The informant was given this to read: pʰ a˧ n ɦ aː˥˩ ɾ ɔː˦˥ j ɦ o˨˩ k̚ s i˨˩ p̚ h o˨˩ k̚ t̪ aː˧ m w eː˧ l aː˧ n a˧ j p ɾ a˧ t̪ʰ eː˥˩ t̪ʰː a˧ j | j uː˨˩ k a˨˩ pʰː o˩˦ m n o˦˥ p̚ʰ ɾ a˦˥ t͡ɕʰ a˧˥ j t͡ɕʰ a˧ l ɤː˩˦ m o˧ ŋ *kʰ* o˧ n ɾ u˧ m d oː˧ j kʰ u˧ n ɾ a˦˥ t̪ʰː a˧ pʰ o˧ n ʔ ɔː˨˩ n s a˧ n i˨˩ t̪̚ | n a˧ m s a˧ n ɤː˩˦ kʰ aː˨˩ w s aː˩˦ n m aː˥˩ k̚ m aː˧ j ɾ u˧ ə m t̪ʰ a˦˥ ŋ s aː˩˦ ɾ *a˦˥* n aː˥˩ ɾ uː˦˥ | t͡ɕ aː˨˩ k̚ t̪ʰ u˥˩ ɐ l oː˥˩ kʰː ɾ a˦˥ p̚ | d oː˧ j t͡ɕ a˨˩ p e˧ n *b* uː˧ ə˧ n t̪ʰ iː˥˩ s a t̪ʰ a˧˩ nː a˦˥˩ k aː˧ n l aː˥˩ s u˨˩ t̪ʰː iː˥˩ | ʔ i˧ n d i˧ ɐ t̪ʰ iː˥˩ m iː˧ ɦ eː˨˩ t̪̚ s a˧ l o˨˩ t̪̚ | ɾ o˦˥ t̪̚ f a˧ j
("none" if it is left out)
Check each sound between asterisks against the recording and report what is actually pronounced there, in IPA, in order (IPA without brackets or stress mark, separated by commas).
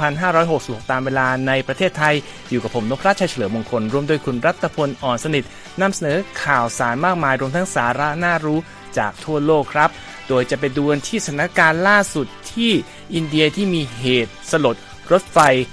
kʰ, a˦˥, d